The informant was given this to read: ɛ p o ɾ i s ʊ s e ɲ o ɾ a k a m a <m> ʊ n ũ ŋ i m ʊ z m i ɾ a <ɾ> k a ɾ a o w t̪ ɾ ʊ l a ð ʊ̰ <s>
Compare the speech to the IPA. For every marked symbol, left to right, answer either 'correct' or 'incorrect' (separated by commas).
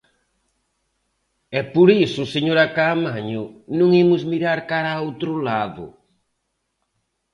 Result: incorrect, correct, incorrect